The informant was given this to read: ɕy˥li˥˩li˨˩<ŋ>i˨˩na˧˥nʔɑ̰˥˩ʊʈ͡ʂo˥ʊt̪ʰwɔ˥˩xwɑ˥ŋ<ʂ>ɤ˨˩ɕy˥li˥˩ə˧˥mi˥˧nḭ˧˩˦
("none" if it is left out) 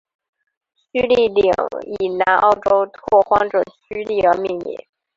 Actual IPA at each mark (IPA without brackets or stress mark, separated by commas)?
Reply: ŋ, ʈ͡ʂ